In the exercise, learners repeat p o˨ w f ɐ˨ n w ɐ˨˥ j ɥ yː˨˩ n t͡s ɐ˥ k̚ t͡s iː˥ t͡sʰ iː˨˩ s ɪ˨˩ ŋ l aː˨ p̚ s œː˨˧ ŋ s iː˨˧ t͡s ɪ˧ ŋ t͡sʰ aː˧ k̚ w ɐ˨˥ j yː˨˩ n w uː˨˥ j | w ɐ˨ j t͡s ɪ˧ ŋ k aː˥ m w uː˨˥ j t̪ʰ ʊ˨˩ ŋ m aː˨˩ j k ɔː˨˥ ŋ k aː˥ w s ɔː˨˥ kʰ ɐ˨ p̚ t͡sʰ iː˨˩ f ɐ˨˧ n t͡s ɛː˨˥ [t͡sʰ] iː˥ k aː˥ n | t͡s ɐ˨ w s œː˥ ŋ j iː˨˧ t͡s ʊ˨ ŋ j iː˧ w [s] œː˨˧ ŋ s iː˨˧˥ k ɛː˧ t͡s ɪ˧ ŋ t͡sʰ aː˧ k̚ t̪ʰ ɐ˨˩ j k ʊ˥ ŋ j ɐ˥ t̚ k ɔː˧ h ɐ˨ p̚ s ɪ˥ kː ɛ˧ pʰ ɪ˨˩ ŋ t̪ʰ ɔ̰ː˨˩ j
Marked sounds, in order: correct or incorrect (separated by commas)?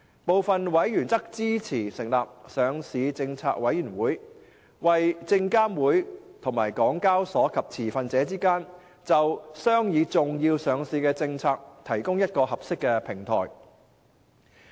incorrect, correct